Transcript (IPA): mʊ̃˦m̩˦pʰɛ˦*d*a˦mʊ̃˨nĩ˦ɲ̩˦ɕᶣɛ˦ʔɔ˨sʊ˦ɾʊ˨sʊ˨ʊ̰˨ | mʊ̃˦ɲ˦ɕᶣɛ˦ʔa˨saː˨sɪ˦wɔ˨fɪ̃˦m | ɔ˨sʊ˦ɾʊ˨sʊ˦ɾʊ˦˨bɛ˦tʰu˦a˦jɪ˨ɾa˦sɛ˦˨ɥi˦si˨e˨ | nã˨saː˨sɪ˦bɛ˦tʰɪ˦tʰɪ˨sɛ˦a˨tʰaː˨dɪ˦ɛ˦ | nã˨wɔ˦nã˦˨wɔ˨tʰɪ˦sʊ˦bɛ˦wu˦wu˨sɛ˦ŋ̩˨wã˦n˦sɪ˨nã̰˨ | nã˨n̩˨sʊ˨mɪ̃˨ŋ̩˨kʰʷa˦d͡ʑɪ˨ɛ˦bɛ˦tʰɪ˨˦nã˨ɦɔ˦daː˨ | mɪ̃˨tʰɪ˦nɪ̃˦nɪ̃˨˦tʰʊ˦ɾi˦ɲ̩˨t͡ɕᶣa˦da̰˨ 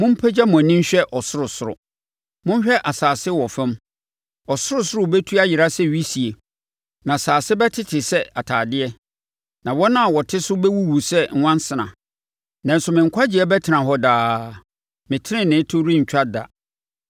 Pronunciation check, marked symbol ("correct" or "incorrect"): incorrect